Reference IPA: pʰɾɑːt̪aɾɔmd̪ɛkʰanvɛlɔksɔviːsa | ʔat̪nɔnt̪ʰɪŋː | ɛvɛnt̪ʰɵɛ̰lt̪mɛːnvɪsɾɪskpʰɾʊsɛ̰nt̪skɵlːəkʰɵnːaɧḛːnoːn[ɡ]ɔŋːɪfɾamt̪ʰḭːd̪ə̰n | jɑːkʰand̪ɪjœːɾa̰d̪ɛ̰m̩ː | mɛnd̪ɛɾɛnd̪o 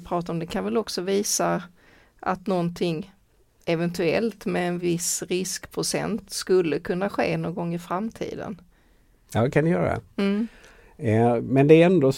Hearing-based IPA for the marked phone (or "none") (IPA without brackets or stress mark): ɡ